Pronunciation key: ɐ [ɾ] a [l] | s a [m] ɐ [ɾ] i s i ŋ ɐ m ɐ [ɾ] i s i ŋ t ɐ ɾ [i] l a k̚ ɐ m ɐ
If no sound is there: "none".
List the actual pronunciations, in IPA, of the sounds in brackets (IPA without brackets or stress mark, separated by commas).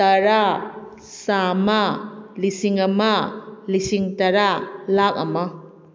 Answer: ɾ, none, m, l, l, a